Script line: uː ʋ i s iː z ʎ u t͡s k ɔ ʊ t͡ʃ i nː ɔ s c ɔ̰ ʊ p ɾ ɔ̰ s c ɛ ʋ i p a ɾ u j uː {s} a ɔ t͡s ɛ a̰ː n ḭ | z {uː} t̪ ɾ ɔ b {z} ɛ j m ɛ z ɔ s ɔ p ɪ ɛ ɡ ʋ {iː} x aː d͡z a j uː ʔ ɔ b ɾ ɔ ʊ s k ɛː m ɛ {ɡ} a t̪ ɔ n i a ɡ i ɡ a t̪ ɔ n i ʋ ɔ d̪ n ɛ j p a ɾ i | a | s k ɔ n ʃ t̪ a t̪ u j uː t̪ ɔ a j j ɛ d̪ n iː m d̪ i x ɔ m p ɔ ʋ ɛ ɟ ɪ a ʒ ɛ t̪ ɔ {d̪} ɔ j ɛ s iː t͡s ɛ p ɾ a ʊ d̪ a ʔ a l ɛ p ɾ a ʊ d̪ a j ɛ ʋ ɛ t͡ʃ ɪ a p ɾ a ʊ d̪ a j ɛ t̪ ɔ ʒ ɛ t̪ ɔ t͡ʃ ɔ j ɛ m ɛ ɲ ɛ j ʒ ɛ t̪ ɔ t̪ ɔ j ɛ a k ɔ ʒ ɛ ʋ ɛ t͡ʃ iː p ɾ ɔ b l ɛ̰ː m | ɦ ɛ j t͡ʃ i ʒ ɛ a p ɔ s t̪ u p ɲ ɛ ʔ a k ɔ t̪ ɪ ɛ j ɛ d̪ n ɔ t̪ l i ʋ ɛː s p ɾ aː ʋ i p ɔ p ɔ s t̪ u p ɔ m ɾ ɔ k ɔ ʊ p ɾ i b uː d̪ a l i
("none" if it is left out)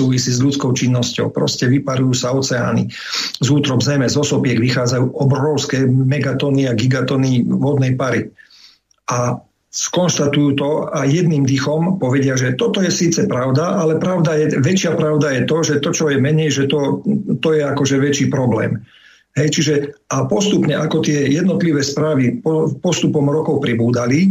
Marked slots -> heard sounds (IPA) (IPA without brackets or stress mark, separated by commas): s, uː, z, i, ɡ, t̪